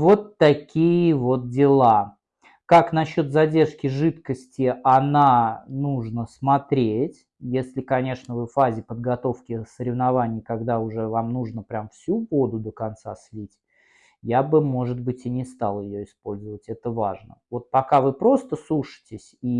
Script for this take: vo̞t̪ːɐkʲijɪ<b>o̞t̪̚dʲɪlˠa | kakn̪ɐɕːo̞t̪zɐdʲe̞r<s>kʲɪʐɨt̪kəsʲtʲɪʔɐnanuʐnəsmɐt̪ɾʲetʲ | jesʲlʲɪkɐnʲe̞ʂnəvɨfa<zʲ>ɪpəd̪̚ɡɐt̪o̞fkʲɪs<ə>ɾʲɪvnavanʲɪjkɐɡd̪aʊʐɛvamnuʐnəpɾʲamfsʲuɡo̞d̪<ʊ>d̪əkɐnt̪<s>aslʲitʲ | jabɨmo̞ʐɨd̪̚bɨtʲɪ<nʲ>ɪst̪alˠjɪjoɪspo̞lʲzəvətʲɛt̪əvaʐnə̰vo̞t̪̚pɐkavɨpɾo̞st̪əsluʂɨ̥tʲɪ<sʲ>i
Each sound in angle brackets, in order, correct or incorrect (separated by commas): incorrect, incorrect, correct, correct, correct, correct, correct, correct